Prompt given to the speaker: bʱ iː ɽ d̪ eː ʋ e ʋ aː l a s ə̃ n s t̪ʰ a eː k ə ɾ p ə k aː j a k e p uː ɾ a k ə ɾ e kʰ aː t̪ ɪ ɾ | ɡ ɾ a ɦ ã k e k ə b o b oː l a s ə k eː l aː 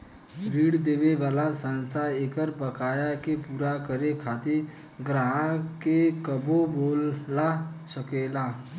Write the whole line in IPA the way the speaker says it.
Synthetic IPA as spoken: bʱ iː ɽ d̪ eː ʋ e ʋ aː l a s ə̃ n s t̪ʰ a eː k ə ɾ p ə k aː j a k e p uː ɾ a k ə ɾ e kʰ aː t̪ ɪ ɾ | ɡ ɾ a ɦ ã k e k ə b o b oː l a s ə k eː l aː